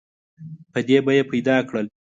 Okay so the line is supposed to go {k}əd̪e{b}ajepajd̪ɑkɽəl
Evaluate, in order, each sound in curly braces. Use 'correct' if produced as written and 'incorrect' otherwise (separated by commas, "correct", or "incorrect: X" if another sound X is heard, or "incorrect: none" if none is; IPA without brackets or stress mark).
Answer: incorrect: p, correct